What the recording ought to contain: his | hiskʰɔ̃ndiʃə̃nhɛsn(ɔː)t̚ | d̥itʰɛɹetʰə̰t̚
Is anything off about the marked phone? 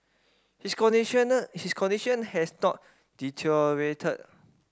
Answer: yes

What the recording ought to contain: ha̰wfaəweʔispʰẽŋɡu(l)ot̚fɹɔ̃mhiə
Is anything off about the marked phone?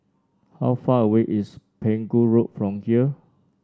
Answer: yes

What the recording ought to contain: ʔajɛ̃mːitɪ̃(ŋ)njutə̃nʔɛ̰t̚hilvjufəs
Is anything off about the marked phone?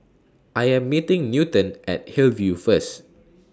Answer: no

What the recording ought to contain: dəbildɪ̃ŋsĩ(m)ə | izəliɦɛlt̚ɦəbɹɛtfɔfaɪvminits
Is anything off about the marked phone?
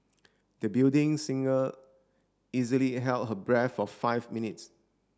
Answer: yes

